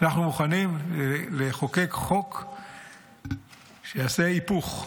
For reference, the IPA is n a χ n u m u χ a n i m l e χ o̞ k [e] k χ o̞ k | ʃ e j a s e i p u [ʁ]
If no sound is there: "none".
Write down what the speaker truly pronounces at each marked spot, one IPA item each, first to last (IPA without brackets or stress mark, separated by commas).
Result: e, χ